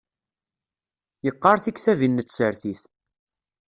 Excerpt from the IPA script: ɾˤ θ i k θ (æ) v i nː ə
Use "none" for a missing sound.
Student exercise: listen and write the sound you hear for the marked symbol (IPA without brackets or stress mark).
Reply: æ